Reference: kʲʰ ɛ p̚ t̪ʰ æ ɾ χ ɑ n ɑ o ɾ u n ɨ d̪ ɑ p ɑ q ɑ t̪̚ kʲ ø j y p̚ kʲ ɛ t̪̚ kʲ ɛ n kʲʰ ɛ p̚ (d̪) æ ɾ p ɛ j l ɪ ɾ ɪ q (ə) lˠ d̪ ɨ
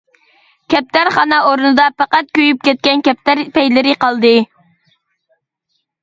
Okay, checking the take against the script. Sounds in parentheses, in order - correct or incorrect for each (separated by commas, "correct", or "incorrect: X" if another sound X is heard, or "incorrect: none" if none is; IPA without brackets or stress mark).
incorrect: t̪, incorrect: ɑ